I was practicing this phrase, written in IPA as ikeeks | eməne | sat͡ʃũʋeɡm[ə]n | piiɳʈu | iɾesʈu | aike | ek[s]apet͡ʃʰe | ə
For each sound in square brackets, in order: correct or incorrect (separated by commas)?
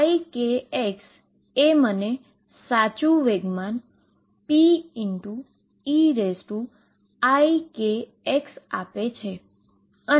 incorrect, correct